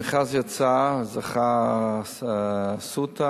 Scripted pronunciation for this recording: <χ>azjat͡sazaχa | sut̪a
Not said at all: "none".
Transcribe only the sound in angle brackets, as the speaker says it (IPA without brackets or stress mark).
χ